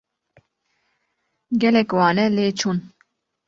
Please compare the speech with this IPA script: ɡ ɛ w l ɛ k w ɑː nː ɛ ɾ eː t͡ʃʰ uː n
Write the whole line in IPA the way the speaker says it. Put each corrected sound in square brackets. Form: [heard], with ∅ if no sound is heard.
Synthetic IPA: ɡ ɛ [∅] l ɛ k w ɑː [n] ɛ [l] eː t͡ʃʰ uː n